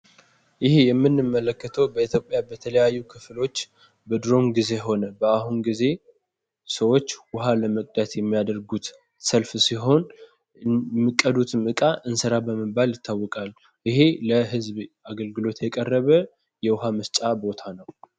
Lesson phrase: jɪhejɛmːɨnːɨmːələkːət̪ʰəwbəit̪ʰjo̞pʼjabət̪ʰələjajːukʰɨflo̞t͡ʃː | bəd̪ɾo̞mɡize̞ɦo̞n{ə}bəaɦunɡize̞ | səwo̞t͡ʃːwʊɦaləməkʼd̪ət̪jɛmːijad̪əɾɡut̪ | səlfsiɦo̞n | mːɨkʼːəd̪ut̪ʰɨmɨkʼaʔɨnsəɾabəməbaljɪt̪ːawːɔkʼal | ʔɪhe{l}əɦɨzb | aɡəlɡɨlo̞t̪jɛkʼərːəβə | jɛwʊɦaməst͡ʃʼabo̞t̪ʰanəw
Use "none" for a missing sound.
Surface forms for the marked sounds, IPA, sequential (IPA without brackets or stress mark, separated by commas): ə, l